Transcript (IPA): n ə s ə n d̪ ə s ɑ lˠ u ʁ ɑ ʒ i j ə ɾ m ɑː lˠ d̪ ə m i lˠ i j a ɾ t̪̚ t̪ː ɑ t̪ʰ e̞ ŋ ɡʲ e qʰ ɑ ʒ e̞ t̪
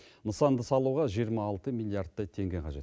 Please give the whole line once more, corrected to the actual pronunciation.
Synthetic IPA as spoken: n ə s ɑ n d̪ ə s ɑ lˠ u ʁ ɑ ʒ i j ə ɾ m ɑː lˠ t̪ ə m i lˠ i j a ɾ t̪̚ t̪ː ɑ t̪ʰ e̞ ŋ ɡʲ e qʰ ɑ ʒ e̞ t̪